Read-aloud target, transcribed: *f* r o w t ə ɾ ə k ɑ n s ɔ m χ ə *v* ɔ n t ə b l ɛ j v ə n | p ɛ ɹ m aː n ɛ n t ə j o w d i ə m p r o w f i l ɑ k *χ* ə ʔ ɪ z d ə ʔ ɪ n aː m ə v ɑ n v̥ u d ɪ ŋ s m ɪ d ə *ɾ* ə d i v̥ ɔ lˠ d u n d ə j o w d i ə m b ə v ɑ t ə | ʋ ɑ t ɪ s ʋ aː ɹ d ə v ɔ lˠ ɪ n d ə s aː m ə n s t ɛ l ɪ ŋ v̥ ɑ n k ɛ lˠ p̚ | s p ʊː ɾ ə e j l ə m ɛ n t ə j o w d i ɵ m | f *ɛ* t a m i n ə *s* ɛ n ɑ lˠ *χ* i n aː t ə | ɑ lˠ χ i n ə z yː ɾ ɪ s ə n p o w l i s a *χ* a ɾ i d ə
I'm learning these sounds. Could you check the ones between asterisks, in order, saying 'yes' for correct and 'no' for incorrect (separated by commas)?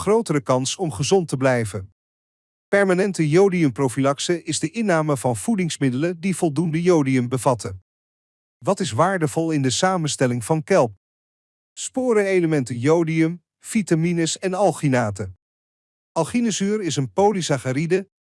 no, no, no, no, no, yes, yes, yes